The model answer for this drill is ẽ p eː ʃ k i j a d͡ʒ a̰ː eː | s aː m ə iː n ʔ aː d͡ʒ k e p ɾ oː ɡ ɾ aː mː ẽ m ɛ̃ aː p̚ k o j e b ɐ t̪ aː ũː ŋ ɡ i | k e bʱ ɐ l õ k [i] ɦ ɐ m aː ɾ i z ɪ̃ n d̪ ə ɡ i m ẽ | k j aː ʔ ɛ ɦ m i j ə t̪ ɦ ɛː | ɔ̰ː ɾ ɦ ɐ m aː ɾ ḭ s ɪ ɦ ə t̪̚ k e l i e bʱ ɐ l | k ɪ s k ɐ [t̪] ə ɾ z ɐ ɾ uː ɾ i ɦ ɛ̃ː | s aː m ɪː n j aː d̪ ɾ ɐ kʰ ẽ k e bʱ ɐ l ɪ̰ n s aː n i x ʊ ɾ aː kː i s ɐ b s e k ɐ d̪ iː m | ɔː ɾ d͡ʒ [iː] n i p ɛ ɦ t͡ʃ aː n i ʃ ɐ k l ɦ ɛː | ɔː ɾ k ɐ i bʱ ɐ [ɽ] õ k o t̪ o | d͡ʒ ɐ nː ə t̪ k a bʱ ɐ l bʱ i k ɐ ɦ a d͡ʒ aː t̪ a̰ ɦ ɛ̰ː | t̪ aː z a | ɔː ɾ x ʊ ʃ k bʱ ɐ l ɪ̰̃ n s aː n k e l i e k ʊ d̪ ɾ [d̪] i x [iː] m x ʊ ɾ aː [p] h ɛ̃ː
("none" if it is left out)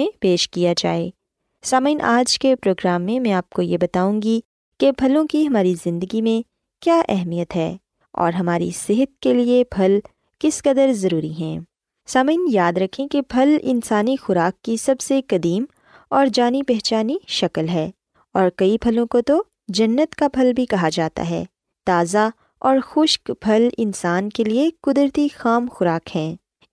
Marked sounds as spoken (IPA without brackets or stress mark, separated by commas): i, d̪, aː, l, t̪, aː, k